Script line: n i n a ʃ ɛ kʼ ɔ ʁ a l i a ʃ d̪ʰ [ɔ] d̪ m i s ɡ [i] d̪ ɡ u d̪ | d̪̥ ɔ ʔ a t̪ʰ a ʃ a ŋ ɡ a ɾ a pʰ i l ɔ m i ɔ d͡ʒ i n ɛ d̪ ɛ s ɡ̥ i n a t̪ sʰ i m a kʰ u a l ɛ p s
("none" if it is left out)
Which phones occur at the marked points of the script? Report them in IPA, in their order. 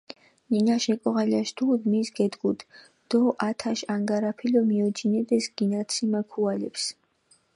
u, ɛ

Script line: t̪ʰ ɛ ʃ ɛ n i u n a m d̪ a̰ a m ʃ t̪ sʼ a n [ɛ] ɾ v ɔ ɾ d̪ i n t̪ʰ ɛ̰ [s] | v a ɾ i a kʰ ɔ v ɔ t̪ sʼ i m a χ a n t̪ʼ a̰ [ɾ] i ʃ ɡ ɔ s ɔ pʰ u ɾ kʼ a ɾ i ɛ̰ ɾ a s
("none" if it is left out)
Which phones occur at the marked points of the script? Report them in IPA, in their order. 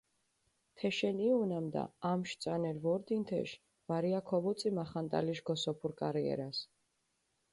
ɛ, ʃ, l

